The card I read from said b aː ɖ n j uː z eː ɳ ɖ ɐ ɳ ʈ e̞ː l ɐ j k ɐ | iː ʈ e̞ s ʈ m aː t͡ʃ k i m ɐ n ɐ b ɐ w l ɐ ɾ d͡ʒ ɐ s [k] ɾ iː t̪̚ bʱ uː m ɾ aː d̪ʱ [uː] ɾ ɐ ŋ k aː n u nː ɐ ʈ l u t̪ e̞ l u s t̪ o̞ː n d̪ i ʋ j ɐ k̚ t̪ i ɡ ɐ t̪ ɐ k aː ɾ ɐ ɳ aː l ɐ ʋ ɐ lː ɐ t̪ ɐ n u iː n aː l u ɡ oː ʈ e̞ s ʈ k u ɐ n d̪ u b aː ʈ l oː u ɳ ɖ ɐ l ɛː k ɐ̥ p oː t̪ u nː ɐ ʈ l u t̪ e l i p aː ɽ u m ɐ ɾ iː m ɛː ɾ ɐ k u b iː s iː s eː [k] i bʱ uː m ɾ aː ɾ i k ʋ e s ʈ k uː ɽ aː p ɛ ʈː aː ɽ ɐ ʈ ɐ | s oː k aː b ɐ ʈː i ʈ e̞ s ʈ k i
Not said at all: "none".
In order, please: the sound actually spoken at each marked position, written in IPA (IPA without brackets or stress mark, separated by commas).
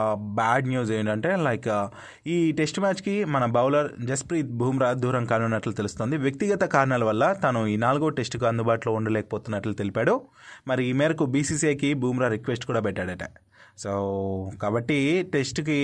p, uː, k